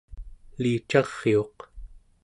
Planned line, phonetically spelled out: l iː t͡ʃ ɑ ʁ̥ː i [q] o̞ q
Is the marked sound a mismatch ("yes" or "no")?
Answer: yes